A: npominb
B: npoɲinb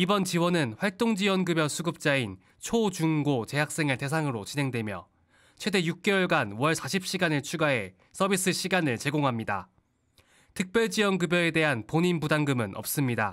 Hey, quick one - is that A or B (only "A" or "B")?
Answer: B